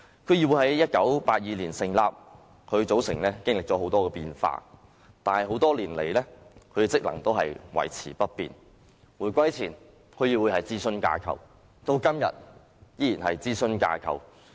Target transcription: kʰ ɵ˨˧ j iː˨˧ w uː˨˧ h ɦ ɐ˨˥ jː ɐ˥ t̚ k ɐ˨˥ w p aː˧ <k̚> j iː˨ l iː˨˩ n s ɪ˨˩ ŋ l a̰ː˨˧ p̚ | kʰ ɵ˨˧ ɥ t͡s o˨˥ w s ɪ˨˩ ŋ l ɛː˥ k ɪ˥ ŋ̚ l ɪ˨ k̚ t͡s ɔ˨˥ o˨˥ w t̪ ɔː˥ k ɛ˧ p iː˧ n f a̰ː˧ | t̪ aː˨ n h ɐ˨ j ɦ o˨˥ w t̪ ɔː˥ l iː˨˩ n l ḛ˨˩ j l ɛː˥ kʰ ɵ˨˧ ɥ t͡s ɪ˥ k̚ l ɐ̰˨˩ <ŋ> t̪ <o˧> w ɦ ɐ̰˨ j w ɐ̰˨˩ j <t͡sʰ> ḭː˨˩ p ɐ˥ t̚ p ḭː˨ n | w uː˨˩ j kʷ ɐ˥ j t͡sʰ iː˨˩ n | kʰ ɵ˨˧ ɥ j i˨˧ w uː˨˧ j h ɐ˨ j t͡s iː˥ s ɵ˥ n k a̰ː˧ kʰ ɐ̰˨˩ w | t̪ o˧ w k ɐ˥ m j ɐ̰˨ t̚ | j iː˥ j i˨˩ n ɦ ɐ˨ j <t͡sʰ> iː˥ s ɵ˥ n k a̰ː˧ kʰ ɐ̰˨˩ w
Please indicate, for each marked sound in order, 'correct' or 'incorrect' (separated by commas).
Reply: incorrect, correct, incorrect, correct, incorrect